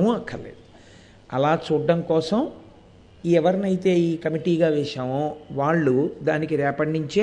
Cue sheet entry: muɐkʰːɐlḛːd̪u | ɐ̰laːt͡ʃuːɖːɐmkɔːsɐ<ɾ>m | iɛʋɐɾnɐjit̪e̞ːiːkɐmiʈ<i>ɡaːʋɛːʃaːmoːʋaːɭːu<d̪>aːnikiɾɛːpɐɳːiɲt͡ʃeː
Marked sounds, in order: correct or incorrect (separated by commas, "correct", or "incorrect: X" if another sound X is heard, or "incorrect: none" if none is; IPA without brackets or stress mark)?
incorrect: none, incorrect: iː, correct